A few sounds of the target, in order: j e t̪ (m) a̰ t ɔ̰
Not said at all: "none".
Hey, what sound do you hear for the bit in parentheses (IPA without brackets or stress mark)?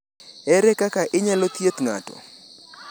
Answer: ŋ